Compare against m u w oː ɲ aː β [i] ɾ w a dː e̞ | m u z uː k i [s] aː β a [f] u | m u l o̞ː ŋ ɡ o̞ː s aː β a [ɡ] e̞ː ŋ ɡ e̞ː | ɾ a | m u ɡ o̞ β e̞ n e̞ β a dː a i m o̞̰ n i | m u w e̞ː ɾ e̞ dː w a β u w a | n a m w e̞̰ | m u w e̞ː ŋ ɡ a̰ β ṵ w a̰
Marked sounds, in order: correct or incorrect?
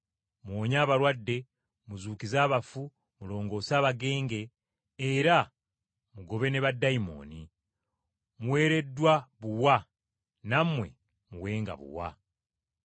incorrect: a, incorrect: z, correct, correct

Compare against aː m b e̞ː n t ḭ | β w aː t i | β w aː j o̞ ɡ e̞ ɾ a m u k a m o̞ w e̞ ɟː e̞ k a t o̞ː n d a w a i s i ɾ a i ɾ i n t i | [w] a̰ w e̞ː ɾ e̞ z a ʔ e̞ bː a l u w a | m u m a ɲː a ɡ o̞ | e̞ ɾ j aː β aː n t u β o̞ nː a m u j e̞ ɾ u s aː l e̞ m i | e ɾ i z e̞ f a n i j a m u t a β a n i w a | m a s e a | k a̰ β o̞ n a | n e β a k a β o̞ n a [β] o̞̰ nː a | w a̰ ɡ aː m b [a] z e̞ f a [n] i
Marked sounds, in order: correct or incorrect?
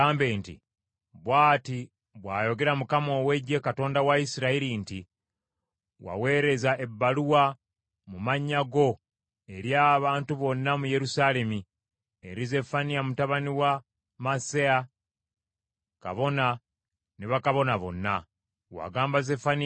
correct, correct, correct, correct

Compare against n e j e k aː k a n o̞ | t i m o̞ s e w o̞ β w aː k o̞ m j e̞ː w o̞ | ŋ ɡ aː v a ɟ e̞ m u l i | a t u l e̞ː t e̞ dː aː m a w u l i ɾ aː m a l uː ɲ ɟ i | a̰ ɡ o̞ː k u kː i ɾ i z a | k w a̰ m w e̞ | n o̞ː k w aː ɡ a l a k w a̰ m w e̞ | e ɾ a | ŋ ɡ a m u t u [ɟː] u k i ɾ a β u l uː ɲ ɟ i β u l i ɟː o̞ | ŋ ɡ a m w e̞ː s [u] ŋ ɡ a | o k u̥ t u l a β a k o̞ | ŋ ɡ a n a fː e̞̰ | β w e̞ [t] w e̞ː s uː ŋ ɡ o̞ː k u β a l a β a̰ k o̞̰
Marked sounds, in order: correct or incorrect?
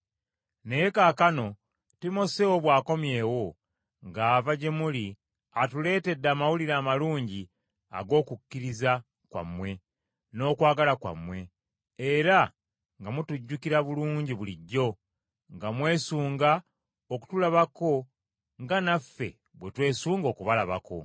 correct, incorrect: uː, correct

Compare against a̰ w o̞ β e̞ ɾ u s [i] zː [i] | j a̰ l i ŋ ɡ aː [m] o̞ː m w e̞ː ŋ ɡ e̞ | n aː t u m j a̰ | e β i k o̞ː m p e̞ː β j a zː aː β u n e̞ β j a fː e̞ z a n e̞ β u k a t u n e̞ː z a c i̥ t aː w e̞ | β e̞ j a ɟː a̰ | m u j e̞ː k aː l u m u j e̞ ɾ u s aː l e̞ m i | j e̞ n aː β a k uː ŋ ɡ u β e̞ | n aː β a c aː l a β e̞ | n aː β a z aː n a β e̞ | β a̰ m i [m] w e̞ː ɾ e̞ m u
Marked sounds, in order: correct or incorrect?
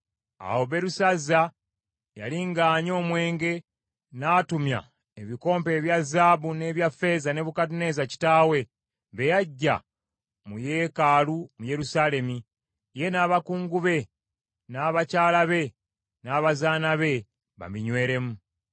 incorrect: a, incorrect: a, incorrect: ɲ, incorrect: ɲ

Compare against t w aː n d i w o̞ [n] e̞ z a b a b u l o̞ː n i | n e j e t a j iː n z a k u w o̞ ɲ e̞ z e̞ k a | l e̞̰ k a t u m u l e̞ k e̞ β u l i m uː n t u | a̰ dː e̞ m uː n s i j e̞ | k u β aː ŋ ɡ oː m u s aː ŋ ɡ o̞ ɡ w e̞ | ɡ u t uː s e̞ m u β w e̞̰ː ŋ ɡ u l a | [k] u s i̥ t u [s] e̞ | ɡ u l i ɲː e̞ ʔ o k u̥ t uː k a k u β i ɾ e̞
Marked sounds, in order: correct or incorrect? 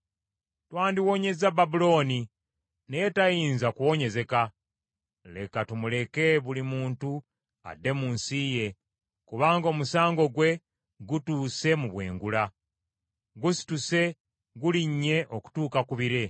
incorrect: ɲ, incorrect: ɡ, correct

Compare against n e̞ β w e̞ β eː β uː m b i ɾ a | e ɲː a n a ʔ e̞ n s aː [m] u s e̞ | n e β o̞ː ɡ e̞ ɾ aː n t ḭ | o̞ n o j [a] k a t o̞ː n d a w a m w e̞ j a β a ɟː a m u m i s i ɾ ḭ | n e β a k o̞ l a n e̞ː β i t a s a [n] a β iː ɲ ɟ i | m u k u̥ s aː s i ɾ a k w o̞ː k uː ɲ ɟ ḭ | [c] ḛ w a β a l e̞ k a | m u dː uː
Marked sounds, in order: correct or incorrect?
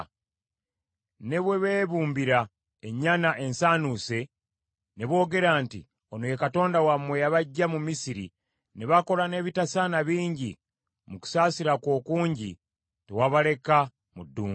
incorrect: n, incorrect: e, correct, incorrect: t

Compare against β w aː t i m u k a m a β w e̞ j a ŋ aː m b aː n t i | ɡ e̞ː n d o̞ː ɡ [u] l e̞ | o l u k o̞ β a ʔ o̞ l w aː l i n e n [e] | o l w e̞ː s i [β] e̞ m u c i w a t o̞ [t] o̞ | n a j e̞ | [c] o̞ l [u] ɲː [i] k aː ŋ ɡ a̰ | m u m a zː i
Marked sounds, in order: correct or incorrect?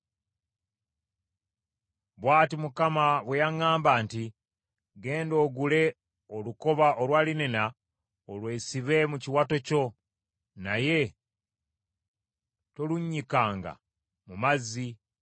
correct, incorrect: a, correct, incorrect: c, incorrect: t, correct, correct

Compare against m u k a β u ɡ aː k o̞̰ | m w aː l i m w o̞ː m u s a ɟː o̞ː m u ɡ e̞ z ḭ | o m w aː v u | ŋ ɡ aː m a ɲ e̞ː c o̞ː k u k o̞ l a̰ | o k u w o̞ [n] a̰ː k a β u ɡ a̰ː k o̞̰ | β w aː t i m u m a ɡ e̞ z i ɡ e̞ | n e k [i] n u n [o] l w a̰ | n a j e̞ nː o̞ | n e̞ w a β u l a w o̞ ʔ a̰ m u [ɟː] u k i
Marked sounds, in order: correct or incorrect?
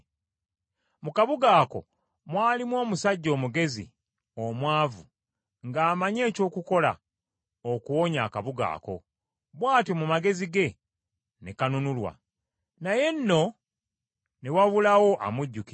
incorrect: ɲ, incorrect: a, incorrect: u, correct

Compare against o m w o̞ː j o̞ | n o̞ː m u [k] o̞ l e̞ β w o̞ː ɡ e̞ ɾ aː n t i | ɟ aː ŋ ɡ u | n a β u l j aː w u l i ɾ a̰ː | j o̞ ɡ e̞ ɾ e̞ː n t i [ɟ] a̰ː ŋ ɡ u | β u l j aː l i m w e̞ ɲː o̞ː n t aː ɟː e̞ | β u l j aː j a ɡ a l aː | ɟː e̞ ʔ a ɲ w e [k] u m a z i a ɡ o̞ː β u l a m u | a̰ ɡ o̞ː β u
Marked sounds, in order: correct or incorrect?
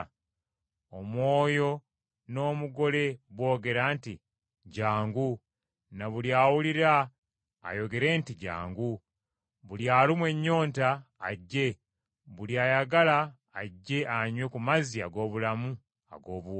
incorrect: ɡ, correct, correct

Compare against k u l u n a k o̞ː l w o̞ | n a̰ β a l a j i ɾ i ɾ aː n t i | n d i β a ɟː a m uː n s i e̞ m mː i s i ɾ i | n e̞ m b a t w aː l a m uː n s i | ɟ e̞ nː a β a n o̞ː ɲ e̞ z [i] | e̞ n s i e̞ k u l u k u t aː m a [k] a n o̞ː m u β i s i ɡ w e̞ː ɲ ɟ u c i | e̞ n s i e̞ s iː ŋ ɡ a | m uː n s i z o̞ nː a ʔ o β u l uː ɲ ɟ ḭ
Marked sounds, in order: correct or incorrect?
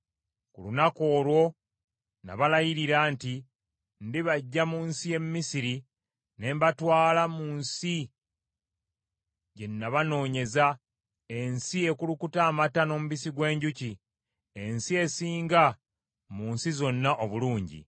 incorrect: a, incorrect: t

